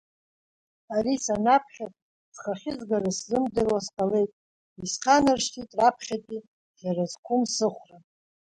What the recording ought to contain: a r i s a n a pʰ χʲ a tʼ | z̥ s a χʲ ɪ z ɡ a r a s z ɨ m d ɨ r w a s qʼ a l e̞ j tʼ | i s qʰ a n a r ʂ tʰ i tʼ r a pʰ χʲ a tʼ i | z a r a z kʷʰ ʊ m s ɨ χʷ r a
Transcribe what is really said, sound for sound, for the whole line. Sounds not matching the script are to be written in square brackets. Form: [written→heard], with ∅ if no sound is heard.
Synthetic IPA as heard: a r i s a n a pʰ χʲ a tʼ | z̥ [s→χ] a χʲ ɪ z ɡ a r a s z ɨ m d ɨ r w a s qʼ a l e̞ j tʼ | i s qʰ a n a r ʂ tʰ i tʼ r a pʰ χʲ a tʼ i | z a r a z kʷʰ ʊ m s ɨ χʷ r a